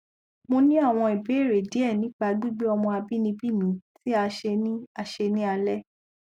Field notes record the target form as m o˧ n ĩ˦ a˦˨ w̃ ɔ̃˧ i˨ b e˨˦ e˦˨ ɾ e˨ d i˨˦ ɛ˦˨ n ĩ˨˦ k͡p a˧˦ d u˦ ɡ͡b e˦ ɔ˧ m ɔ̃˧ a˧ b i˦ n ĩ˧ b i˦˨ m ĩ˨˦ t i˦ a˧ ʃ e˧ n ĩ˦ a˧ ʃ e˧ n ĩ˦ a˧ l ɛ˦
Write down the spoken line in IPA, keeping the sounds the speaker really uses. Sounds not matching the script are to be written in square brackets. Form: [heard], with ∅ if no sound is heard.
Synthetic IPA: m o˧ n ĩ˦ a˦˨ w̃ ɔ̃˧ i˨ b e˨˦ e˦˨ ɾ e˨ d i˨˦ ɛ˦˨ n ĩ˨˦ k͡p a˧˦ d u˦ ɡ͡b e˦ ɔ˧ m ɔ̃˧ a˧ b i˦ n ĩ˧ b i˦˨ m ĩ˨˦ t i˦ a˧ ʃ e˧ n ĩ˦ a˧ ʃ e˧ n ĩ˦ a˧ l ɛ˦